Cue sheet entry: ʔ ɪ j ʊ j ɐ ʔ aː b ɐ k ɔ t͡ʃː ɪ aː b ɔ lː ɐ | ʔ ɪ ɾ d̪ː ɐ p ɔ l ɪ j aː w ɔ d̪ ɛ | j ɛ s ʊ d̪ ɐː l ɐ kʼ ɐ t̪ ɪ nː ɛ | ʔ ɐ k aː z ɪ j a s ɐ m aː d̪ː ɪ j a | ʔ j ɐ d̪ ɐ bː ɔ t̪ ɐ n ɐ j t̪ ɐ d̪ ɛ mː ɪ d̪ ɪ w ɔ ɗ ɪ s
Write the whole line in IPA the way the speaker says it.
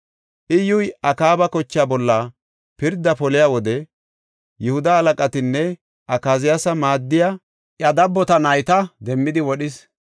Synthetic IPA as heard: ʔ ɪ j ʊ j ɐ k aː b ɐ k ɔ t͡ʃː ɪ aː b ɔ lː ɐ | p ɪ ɾ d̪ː ɐ p ɔ l ɪ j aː w ɔ d̪ ɛ | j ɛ h ʊ d̪ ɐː l ɐ kʼ ɐ t̪ ɪ nː ɛ | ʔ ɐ k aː z ɪ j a s ɐ m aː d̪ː ɪ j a | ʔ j ɐ d̪ ɐ bː ɔ t̪ ɐ n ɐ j t̪ ɐ d̪ ɛ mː ɪ d̪ ɪ w ɔ ɗ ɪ s